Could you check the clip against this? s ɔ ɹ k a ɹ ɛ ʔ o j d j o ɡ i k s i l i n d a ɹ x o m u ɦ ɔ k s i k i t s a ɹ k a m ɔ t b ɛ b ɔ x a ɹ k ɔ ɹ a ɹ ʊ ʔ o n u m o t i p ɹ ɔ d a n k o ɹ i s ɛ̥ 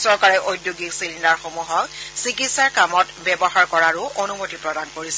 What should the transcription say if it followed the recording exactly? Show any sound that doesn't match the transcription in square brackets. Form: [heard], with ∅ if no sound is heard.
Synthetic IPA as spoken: s ɔ ɹ k a ɹ ɛ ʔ o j d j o ɡ i k s i l i n d a ɹ x o m u ɦ ɔ k s i k i t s a ɹ k a m ɔ t b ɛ b ɔ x a ɹ k ɔ ɹ a ɹ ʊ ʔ o n u m o t i p ɹ ɔ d a n k o ɹ i s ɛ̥